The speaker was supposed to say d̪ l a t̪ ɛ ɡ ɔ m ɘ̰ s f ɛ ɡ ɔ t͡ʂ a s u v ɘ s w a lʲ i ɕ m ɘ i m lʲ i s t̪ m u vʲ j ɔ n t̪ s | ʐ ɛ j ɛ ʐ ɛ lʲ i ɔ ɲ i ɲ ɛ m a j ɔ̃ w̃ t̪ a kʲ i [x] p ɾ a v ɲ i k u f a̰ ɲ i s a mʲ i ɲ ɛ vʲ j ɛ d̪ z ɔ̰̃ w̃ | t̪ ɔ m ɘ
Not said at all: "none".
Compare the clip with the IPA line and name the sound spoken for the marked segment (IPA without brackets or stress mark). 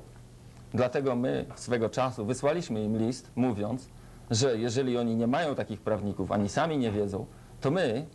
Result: x